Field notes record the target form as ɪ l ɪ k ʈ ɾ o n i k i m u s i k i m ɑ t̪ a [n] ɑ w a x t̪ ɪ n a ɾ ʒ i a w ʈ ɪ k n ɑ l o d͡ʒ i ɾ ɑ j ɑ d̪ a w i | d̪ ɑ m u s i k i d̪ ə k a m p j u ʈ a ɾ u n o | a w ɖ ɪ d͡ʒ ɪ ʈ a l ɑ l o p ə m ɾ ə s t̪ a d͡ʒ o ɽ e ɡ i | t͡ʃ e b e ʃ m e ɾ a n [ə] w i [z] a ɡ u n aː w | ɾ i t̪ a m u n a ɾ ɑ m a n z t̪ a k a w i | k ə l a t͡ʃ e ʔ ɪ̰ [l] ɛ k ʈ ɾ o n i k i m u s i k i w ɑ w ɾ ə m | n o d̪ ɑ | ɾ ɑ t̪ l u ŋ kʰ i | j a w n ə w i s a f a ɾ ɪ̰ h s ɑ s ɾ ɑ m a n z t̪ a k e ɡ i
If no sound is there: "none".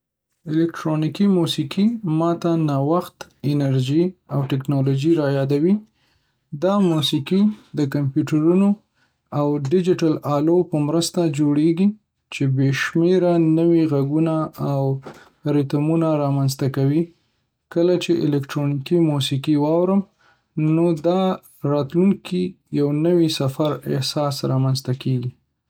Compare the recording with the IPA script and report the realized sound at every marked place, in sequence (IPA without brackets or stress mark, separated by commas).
n, ə, ɣ, l